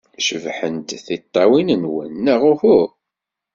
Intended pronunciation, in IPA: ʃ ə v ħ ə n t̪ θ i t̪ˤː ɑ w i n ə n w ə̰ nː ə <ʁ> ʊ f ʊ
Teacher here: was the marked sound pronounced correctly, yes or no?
yes